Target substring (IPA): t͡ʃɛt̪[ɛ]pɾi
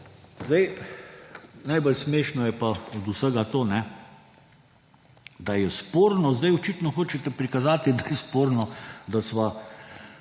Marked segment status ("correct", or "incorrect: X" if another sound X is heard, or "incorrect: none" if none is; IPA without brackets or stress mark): correct